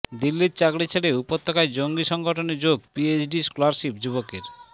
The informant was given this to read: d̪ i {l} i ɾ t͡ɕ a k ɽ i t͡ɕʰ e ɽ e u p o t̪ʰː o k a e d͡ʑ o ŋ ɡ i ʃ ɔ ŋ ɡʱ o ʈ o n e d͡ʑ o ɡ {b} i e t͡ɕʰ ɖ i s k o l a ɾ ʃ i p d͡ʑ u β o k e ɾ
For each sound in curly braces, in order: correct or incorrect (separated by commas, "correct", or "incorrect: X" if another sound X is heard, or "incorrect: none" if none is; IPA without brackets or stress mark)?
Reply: incorrect: lː, incorrect: p